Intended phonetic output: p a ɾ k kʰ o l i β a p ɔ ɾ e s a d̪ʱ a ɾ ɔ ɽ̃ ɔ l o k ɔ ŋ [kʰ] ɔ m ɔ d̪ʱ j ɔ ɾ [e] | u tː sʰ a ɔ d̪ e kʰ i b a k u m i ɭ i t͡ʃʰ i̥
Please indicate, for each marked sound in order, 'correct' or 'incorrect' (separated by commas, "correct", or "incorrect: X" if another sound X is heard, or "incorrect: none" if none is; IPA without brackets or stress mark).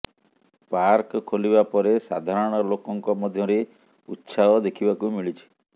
incorrect: k, correct